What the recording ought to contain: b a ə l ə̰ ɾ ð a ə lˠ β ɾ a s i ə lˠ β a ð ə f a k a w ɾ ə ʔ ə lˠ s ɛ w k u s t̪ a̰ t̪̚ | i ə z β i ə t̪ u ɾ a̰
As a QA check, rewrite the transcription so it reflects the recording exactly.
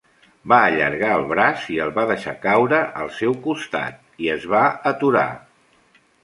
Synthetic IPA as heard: b a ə ʎ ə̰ ɾ ɣ a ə lˠ β ɾ a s i ə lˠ β a ð ə ʃ a k a w ɾ ə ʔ ə lˠ s ɛ w k u s t̪ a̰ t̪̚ | i ə z β a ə t̪ u ɾ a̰